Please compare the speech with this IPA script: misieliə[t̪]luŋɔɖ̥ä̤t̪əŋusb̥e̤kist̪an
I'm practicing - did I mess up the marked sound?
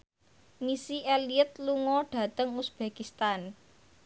no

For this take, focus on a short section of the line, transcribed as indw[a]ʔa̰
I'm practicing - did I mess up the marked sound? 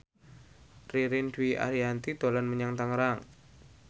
yes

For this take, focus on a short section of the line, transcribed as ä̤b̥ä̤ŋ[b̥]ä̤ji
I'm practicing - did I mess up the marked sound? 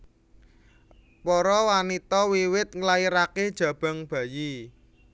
no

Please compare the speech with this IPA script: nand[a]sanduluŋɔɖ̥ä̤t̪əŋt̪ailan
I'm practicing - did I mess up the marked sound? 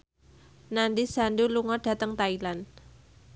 yes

